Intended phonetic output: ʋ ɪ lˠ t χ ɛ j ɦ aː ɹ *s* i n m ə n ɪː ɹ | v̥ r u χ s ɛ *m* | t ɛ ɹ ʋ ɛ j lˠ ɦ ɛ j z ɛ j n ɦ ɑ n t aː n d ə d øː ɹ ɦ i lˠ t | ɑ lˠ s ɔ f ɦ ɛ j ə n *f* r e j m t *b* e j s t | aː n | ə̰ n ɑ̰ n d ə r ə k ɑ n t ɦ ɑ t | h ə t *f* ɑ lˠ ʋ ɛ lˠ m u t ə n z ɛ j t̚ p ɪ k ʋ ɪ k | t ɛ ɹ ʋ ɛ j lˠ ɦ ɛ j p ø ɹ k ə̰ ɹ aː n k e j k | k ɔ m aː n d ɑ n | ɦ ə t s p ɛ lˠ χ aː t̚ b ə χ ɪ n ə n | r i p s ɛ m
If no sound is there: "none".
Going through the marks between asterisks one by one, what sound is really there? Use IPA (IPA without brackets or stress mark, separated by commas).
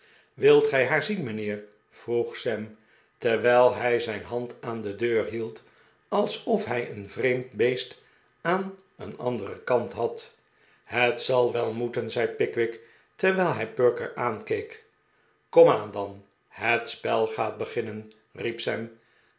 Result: z, m, v, b, s